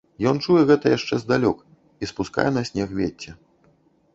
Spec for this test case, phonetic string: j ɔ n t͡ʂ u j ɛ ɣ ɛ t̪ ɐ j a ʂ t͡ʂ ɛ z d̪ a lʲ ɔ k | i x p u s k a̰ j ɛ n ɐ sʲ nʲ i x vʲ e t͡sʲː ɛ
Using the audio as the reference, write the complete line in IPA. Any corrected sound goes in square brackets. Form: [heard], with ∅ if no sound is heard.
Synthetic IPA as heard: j ɔ n t͡ʂ u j ɛ ɣ ɛ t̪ ɐ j a ʂ t͡ʂ ɛ z d̪ a lʲ ɔ k | i [s] p u s k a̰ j ɛ n ɐ sʲ nʲ [ɛ] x vʲ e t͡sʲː ɛ